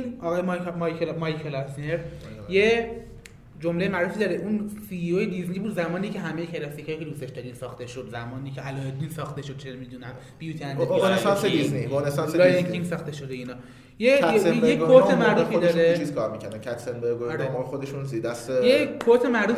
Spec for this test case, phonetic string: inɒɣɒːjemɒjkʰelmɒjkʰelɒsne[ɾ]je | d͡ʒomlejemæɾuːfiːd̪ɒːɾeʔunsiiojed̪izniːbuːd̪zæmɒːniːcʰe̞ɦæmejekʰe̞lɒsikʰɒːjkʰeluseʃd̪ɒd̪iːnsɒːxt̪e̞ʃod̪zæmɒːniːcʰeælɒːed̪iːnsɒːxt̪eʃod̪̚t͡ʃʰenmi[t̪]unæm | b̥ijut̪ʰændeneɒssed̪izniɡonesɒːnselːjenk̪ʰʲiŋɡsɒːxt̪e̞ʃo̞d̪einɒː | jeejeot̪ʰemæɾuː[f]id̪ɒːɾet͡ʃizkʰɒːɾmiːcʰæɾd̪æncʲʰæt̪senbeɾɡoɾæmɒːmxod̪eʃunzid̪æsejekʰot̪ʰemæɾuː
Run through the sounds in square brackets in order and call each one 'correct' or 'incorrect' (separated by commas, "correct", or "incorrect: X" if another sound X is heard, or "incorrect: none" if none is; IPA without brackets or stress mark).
correct, incorrect: d̪, correct